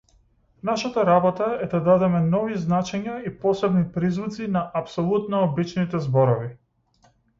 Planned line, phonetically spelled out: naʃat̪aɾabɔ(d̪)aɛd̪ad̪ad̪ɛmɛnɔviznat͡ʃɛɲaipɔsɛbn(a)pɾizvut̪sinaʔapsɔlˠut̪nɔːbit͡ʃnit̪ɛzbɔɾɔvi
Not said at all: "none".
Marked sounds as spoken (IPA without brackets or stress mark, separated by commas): t̪, i